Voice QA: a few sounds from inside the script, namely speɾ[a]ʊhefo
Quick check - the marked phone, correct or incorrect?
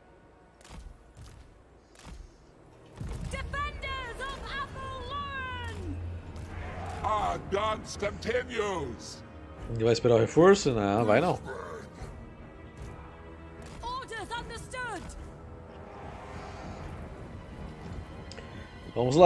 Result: correct